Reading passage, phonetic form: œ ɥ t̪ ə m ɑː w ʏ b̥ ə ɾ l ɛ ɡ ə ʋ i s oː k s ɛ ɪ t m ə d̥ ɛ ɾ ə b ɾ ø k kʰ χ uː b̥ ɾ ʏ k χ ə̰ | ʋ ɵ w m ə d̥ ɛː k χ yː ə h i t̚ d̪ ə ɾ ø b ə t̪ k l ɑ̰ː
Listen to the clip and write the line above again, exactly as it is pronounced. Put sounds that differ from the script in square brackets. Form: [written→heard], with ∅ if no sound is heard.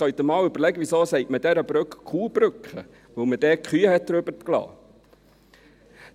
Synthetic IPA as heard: œ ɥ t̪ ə m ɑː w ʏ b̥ ə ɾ l ɛ ɡ ə ʋ i s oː [k→∅] s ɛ ɪ t m ə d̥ ɛ ɾ ə b ɾ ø k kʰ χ uː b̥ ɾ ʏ k χ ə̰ | ʋ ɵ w m ə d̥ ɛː k χ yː ə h [i→ɛ] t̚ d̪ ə ɾ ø b ə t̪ k l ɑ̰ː